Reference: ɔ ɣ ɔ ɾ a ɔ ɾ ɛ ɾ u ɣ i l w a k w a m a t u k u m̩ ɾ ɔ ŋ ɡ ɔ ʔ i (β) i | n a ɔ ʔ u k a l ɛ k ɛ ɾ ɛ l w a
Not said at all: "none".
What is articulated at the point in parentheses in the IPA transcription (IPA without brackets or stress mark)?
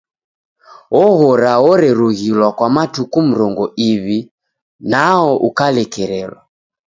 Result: β